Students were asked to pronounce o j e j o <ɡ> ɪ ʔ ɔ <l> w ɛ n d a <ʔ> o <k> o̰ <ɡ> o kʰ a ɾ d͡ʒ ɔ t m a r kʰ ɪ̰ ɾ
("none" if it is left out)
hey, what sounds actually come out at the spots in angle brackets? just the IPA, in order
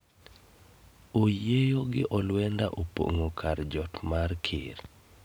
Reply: ɡ, l, ʔ, p, ŋ

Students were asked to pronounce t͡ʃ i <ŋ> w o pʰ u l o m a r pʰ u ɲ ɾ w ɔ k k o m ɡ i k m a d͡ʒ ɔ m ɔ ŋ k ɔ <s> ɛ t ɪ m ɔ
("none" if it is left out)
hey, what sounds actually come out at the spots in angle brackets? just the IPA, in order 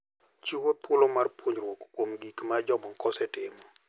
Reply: none, s

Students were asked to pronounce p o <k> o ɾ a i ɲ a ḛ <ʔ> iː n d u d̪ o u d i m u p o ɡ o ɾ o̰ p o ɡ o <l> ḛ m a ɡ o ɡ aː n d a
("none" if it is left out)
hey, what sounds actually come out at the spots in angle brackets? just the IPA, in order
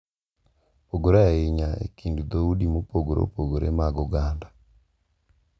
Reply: ɡ, k, ɾ

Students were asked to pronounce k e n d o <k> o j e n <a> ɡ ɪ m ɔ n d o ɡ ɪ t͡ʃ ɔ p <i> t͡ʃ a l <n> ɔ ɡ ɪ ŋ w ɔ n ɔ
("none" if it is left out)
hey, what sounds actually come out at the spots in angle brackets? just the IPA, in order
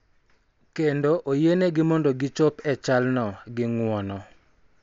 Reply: ʔ, e, ɛ, n

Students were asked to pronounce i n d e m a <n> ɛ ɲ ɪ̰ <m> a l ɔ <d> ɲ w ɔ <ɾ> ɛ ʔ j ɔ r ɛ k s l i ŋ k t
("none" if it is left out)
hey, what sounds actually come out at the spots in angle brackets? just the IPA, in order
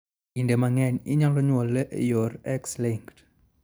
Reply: ŋ, ɲ, none, l

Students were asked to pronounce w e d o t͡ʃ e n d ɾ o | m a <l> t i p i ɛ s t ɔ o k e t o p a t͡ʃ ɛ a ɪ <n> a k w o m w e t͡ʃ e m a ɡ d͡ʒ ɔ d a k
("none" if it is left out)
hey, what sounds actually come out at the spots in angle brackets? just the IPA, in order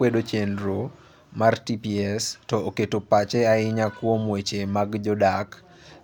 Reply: r, ɲ

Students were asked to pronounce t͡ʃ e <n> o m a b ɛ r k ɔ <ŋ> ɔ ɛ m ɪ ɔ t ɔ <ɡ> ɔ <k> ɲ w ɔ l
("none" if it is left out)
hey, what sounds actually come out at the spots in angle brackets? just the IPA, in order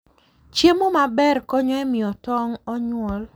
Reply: m, ɲ, ŋ, none

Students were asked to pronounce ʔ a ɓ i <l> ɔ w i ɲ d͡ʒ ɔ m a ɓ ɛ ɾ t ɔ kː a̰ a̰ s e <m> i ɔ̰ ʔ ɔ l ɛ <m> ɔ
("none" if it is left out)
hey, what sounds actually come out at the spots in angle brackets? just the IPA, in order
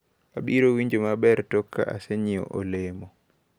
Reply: ɾ, ɲ, m

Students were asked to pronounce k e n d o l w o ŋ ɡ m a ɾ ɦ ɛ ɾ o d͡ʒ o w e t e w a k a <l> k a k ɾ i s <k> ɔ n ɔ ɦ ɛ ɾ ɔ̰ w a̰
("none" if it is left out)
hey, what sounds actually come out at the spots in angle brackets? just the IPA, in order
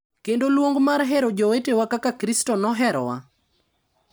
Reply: none, t

